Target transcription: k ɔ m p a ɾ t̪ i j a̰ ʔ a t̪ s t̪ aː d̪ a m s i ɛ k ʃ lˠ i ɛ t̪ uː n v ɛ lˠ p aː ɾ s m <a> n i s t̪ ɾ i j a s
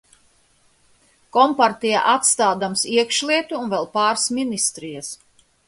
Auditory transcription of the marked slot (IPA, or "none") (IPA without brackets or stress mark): i